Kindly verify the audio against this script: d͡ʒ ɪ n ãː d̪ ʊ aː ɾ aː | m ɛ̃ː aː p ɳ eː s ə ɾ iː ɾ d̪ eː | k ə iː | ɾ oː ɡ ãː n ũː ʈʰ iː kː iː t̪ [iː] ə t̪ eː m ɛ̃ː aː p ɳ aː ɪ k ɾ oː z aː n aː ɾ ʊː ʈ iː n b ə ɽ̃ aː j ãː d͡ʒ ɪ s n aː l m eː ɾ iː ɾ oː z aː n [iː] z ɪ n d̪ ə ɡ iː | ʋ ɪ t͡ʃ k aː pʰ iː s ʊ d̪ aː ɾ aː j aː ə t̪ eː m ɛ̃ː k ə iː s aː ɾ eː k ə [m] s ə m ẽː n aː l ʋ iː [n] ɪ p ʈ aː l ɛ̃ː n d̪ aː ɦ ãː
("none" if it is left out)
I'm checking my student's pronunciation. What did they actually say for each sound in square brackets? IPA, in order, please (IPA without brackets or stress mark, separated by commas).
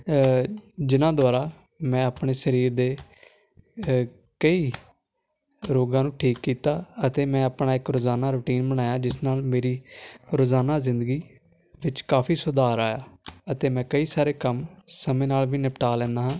aː, aː, m, n